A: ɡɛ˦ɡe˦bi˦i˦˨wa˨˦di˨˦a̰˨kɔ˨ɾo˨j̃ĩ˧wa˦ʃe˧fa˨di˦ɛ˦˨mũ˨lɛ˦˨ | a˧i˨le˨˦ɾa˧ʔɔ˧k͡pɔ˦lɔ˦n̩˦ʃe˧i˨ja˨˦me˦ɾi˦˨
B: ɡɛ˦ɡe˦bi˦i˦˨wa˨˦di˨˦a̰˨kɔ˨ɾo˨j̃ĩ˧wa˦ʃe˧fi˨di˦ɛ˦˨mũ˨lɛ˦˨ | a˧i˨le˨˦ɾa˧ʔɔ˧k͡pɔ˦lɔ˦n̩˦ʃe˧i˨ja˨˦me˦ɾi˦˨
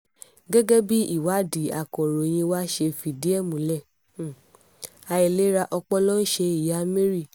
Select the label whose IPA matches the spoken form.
B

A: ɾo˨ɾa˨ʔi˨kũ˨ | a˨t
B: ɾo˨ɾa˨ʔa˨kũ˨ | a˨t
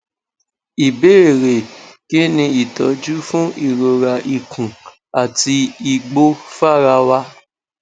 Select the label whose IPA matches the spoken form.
A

